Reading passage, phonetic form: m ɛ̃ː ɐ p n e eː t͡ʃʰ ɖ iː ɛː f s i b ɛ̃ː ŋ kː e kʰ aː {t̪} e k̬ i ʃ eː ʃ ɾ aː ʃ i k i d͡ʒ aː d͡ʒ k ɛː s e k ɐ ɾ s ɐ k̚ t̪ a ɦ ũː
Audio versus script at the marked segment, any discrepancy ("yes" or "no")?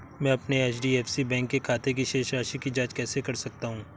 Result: no